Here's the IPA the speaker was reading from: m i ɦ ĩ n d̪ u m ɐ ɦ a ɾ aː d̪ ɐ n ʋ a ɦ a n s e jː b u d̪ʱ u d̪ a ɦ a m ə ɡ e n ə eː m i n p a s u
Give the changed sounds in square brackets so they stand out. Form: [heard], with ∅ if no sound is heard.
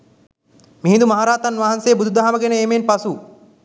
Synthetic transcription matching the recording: m i ɦ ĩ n d̪ u m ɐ ɦ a ɾ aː [t̪] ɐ n ʋ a ɦ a n s e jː b u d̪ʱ u d̪ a ɦ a m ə ɡ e n ə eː m [e] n p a s u